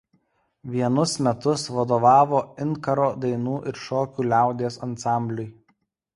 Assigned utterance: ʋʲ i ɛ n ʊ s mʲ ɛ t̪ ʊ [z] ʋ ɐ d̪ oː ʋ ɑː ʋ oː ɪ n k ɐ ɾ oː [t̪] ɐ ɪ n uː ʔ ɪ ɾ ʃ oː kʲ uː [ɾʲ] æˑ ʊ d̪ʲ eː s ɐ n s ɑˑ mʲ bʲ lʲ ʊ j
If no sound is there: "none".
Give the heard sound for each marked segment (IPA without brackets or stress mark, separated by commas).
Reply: s, d̪, lʲ